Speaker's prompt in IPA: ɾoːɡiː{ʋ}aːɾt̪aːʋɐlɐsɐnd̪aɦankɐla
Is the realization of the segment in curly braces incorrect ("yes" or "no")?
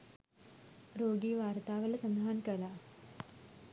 no